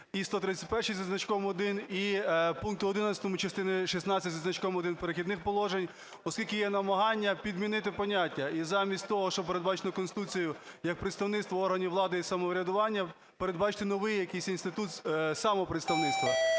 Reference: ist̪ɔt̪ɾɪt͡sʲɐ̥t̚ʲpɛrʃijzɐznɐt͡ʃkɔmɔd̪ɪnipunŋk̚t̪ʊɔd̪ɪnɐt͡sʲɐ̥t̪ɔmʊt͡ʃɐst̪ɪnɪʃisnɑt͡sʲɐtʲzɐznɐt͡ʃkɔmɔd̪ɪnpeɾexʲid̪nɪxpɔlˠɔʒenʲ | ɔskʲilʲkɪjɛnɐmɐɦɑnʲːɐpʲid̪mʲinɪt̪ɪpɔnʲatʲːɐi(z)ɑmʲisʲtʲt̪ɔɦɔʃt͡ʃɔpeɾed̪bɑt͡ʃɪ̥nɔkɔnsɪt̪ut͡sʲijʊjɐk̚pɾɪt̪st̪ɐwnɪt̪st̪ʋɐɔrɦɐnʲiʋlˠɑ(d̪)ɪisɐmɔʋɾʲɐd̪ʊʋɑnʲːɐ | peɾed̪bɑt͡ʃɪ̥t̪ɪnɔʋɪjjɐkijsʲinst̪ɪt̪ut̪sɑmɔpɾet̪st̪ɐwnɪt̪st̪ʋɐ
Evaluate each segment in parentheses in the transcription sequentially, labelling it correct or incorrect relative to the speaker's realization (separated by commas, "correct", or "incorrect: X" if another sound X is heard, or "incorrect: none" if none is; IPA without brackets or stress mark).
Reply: correct, correct